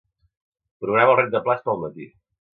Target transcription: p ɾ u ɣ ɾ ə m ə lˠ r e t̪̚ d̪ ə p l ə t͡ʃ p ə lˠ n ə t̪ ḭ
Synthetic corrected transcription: p ɾ u ɣ ɾ a m ə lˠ r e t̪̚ d̪ ə p l a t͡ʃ p ə lˠ m ə t̪ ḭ